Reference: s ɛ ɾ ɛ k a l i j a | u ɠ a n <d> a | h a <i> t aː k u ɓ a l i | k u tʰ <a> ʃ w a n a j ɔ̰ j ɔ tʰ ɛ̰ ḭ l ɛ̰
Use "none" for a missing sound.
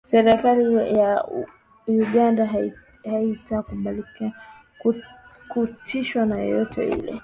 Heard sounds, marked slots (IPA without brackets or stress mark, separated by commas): d, i, i